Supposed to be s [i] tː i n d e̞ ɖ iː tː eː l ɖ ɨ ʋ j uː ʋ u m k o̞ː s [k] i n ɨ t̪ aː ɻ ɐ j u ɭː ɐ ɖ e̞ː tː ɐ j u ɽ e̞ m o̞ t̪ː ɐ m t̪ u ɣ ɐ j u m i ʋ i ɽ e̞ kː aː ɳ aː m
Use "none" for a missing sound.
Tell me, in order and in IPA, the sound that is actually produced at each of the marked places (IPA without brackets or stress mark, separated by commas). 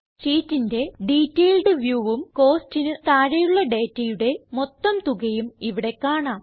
iː, t